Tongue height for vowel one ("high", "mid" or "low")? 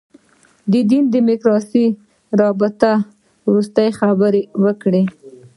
mid